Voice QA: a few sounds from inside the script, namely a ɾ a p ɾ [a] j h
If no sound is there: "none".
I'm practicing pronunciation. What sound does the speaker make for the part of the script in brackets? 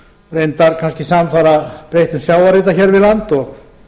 e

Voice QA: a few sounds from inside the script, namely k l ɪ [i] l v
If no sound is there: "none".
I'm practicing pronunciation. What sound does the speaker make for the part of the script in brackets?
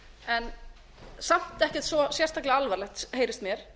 a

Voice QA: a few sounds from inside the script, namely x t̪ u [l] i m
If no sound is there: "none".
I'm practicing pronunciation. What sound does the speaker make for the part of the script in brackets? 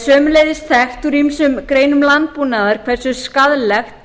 ɾ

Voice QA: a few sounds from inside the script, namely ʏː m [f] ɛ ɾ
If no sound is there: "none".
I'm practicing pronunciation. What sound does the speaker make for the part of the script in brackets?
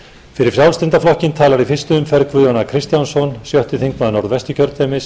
f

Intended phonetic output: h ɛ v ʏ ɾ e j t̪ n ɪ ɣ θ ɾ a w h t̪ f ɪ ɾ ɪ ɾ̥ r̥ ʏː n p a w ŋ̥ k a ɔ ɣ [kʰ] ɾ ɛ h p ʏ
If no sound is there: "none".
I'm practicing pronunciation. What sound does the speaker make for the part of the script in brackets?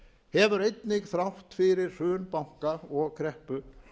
kʰ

